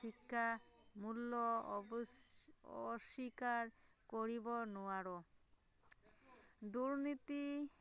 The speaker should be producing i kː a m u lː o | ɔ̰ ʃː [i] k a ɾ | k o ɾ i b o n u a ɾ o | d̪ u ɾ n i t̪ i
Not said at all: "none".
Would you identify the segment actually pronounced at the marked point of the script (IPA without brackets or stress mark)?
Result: i